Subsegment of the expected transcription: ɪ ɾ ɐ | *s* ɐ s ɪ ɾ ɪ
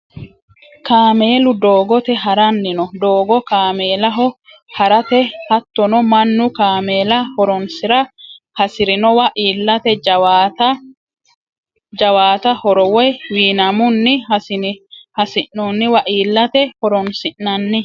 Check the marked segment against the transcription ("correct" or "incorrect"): incorrect